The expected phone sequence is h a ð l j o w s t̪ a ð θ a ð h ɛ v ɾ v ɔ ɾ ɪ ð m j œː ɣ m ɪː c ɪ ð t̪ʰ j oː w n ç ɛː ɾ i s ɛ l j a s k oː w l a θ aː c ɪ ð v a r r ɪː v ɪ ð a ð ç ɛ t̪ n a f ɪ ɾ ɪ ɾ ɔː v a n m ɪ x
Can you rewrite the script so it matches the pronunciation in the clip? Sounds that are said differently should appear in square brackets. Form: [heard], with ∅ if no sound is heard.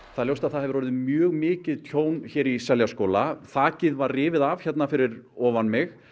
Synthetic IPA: [θ] a ð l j o w s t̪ a ð θ a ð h ɛ v ɾ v ɔ ɾ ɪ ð m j œː ɣ m ɪː c ɪ ð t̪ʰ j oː w n ç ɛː ɾ i s ɛ l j a s k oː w l a θ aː c ɪ ð v a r r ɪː v ɪ ð a [v] ç ɛ t̪ n a f ɪ ɾ ɪ ɾ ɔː v a n m ɪ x